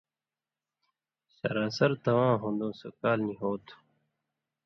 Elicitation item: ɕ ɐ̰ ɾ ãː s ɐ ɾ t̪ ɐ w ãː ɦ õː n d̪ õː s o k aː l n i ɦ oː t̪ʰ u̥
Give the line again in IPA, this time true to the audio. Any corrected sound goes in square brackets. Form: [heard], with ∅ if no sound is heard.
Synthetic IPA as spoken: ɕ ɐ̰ ɾ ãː s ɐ ɾ t̪ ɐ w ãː ɦ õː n d̪ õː s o k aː l n i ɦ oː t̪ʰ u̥